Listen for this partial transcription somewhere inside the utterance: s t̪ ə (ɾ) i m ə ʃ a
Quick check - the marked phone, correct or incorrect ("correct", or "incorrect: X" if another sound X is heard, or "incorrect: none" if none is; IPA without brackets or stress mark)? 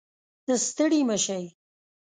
incorrect: ɽ